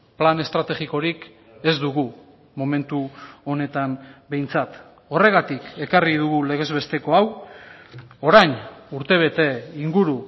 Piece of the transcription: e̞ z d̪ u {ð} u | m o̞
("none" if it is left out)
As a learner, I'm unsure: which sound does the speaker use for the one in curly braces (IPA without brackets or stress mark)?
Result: ɣ